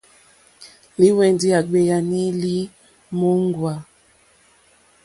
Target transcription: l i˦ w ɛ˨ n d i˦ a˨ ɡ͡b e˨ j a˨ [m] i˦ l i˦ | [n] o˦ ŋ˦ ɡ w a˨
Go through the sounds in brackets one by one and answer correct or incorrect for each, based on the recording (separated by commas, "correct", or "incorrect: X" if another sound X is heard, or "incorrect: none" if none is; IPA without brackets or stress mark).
incorrect: n, incorrect: m